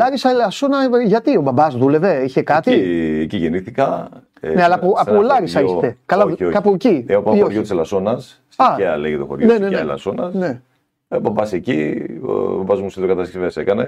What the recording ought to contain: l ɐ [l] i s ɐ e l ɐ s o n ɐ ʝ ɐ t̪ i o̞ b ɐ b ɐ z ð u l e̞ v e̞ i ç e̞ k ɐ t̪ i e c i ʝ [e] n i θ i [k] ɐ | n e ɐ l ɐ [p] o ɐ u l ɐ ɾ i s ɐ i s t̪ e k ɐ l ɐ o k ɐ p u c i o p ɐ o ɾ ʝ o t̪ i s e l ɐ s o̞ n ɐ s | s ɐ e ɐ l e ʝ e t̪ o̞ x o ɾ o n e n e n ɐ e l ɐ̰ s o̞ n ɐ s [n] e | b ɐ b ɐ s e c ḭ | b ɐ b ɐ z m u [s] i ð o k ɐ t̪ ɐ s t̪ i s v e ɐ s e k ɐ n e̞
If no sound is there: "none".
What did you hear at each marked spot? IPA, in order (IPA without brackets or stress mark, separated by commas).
ɾ, e, k, p, n, s